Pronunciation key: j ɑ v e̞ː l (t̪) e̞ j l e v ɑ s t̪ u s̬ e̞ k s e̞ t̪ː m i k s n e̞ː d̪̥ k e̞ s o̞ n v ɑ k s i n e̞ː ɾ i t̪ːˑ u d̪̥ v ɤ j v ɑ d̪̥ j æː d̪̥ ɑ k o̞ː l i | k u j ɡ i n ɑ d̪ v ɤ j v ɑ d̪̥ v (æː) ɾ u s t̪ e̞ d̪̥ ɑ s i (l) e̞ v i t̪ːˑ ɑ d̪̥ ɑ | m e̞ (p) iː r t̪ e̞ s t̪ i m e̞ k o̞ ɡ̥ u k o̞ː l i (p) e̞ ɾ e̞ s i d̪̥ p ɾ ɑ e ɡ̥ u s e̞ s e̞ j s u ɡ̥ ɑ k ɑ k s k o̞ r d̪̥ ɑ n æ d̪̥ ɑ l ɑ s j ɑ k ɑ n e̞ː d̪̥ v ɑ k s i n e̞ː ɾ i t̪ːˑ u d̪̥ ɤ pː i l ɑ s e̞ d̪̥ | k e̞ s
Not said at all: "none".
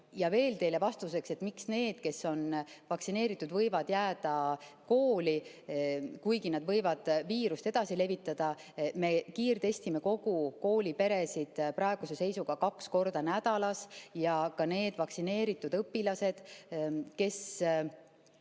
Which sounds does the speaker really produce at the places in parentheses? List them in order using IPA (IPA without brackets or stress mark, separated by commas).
t̪, iː, l, k, p